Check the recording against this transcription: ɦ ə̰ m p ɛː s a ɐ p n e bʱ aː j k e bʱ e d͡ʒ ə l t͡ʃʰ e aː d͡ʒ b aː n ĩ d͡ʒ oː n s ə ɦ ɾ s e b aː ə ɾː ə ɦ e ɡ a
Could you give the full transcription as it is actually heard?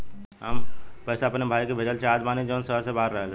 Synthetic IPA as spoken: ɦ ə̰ m p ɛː s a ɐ p n e bʱ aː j k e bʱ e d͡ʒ ə l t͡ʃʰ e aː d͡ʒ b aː n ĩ d͡ʒ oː n s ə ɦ ɾ s e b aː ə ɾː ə ɦ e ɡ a